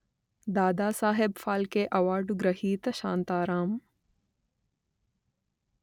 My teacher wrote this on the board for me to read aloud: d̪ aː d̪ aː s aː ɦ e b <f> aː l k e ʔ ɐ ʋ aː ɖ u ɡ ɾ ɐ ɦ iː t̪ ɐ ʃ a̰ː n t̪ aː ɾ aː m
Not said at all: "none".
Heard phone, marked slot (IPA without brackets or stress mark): f